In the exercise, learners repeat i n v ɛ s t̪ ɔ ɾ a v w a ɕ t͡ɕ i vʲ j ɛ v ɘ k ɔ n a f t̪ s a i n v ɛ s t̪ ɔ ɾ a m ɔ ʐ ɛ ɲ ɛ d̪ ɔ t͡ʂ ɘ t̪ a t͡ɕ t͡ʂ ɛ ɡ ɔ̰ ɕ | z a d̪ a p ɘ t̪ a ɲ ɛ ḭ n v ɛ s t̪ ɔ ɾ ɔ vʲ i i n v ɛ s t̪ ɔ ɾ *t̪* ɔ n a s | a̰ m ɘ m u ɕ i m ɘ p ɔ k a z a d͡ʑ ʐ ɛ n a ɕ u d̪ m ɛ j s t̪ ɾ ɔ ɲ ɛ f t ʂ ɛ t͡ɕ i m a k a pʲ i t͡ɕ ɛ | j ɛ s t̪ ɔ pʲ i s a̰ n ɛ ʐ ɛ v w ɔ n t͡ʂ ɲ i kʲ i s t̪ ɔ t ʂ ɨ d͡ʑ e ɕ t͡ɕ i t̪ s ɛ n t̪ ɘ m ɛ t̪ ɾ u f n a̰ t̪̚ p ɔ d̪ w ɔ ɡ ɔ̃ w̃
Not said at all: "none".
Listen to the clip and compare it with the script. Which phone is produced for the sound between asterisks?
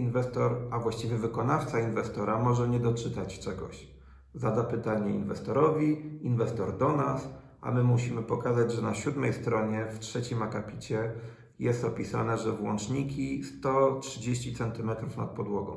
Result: d̪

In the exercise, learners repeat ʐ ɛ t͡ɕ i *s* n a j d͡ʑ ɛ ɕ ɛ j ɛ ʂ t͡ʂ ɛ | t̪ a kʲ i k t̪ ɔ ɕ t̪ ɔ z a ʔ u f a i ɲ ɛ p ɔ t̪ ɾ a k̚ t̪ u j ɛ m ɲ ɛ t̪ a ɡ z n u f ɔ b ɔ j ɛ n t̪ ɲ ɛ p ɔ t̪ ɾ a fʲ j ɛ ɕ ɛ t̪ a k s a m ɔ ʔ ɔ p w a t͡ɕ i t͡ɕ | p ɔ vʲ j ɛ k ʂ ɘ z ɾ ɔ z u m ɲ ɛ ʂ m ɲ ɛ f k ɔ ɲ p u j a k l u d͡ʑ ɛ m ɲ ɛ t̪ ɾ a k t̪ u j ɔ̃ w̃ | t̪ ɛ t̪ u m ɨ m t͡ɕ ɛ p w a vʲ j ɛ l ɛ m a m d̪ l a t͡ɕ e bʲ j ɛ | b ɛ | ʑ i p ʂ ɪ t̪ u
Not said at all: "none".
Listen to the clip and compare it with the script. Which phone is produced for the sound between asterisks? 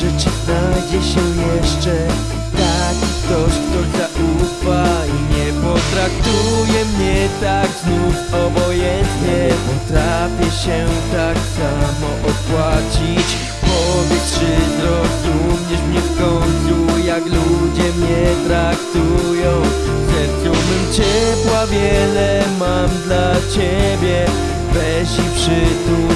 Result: z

